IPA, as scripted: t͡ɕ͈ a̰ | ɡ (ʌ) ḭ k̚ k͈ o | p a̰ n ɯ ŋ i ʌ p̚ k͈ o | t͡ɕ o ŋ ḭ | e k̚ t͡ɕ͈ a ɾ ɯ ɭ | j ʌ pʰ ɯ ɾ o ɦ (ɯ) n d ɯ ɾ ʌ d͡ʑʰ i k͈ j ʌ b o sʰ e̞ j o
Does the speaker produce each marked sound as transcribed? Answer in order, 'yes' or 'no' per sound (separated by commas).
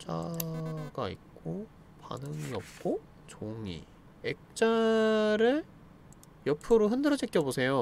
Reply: no, yes